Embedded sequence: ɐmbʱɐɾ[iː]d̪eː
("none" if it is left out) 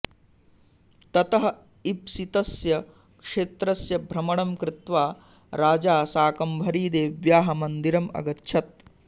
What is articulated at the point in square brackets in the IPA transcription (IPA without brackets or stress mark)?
iː